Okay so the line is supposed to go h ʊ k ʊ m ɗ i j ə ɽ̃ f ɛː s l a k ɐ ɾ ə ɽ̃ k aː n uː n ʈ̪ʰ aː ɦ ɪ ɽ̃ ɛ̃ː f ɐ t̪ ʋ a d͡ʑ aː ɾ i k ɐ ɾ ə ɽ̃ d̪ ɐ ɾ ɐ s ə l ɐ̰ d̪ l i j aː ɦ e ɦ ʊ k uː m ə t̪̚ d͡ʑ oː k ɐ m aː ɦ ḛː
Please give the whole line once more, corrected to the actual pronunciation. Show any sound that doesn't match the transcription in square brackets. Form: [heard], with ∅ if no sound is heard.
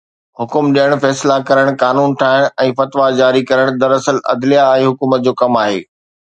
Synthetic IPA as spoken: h ʊ k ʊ m ɗ i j ə ɽ̃ f ɛː s l a k ɐ ɾ ə ɽ̃ k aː n uː n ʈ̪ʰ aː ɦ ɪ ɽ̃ ɛ̃ː f ɐ t̪ ʋ a d͡ʑ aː ɾ i k ɐ ɾ ə ɽ̃ d̪ ɐ ɾ ɐ s ə l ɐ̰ d̪ l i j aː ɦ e ɦ ʊ k uː m ə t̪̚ d͡ʑ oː k ɐ m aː ɦ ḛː